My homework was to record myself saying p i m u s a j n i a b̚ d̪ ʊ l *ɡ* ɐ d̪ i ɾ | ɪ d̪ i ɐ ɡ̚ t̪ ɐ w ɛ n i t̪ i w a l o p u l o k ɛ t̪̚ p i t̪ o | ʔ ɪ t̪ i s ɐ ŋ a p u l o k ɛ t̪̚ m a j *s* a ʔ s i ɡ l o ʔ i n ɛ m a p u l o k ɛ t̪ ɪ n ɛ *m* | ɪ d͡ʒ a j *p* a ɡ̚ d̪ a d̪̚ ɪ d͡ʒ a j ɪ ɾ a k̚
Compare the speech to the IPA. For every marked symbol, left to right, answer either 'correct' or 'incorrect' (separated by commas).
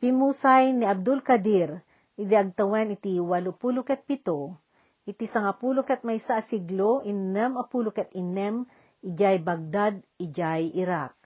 incorrect, correct, correct, incorrect